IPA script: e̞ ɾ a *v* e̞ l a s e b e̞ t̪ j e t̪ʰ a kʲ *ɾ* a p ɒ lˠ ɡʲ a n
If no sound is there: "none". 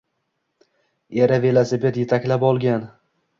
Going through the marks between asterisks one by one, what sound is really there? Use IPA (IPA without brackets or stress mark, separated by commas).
v, l